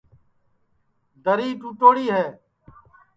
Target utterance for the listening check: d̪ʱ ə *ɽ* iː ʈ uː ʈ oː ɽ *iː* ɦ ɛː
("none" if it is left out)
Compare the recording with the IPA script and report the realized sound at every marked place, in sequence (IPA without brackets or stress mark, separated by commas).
ɾ, iː